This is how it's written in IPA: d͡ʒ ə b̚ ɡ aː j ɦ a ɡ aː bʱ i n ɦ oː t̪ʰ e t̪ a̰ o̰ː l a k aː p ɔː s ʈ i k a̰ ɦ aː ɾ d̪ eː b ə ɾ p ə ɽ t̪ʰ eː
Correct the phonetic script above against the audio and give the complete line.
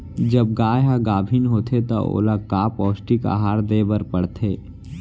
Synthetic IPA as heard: d͡ʒ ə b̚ ɡ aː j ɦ a ɡ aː bʱ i n ɦ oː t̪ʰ e t̪ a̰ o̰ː l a k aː p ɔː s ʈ i k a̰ ɦ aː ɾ d̪ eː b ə ɾ p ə ɽ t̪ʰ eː